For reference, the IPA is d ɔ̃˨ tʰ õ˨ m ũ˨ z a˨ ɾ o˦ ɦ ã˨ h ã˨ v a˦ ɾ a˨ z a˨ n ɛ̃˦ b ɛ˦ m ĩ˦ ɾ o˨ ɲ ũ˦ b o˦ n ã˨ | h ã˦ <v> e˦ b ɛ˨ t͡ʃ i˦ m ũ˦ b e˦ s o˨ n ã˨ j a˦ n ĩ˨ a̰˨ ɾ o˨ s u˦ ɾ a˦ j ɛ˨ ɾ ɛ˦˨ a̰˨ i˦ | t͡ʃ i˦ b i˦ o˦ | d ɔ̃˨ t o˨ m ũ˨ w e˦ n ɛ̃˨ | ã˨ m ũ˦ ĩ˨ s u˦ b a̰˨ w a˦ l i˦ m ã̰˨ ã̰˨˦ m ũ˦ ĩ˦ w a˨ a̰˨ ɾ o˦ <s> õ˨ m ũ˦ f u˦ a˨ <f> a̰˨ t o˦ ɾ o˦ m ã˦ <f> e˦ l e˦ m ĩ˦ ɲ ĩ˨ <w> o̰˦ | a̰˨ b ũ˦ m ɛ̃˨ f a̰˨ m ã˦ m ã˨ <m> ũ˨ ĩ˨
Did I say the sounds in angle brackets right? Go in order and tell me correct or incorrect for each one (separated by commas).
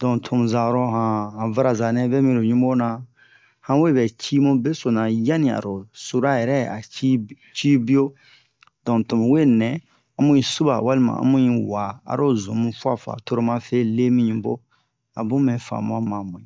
incorrect, incorrect, correct, correct, incorrect, correct